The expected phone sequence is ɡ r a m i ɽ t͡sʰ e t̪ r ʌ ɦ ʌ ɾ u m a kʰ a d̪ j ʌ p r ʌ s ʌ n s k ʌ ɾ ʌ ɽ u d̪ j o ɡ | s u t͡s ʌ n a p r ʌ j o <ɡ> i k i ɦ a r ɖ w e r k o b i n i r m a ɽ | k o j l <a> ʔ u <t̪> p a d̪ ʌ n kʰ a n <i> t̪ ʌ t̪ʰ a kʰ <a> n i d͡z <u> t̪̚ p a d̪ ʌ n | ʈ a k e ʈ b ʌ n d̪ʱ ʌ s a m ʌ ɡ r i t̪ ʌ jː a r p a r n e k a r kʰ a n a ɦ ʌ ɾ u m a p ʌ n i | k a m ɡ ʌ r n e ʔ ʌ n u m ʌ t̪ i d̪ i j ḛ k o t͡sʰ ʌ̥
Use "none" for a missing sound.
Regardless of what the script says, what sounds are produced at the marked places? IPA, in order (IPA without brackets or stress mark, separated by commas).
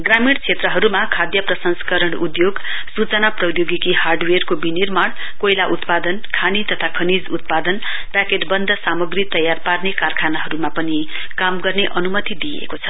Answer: ɡ, a, t̪, i, ʌ, u